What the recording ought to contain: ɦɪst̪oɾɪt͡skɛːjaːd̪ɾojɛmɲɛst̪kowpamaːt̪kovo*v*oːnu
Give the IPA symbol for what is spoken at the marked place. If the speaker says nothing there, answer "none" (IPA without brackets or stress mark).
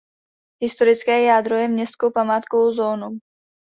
z